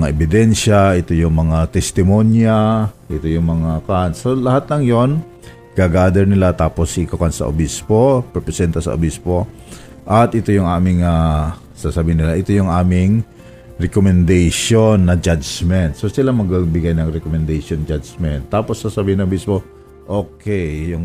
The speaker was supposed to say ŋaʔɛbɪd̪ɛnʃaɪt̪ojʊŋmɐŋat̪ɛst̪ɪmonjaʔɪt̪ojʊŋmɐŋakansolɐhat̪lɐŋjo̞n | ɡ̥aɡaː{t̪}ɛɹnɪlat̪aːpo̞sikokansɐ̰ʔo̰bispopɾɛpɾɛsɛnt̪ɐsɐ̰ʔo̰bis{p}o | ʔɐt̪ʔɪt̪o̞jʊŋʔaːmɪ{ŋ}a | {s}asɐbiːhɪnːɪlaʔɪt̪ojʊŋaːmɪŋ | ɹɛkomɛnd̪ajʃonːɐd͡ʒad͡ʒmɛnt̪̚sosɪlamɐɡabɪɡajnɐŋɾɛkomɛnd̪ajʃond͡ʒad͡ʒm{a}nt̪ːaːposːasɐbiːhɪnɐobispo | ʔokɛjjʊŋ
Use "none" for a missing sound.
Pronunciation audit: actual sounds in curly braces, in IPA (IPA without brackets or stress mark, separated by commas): d̪, p, ŋ, s, ɛ